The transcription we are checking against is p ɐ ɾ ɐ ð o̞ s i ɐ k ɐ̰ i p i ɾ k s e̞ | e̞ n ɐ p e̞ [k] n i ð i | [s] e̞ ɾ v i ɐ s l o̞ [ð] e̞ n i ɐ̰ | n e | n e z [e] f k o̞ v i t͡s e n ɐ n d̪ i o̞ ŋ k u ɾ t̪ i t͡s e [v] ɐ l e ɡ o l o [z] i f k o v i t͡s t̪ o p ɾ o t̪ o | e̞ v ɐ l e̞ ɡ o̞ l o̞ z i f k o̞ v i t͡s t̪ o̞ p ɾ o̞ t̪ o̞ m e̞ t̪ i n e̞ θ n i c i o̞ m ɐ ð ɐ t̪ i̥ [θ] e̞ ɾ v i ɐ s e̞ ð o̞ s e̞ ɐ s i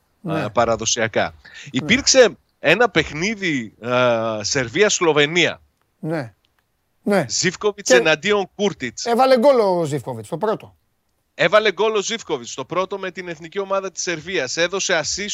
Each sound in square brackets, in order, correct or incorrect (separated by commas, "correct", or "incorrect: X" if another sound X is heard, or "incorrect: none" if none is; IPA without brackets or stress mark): incorrect: x, correct, incorrect: v, incorrect: i, correct, correct, incorrect: s